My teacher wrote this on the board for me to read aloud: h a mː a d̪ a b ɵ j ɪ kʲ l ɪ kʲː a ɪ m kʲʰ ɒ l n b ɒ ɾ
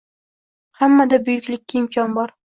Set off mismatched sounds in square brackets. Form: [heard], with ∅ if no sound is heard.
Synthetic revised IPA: h a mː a d̪ a b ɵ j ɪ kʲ l ɪ kʲː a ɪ m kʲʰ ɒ [∅] n b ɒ ɾ